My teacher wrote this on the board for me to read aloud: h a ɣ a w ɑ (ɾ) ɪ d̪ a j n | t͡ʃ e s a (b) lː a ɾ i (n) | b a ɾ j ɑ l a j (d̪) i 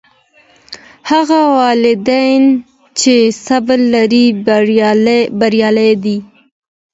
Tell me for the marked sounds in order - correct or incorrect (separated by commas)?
incorrect, correct, incorrect, correct